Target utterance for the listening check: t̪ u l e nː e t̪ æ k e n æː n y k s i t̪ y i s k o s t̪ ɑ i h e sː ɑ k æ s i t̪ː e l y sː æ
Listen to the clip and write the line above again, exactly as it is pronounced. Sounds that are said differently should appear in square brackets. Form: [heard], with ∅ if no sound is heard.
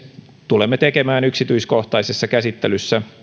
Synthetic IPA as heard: t̪ u l e [mː] e t̪ [e] k e [m] æː n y k s i t̪ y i s k o [h] t̪ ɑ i [s] e sː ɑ k æ s i t̪ː e l y sː æ